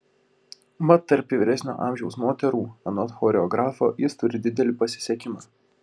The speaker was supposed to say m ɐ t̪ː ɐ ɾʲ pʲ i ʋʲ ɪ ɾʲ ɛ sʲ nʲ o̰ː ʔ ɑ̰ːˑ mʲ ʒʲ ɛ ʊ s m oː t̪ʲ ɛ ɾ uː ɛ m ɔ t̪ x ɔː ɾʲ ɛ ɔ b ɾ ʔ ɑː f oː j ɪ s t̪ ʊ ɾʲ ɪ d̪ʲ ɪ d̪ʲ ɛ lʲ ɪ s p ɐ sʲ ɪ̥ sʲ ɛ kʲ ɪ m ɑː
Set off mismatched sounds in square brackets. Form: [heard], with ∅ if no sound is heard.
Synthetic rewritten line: m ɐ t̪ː ɐ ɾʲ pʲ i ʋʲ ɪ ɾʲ ɛ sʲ nʲ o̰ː ʔ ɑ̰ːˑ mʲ ʒʲ ɛ ʊ s m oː t̪ʲ ɛ ɾ uː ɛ [n] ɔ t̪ x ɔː ɾʲ ɛ ɔ [ɡ] ɾ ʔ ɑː f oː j ɪ s t̪ ʊ ɾʲ ɪ d̪ʲ ɪ d̪ʲ ɛ lʲ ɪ [∅] p ɐ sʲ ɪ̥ sʲ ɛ kʲ ɪ m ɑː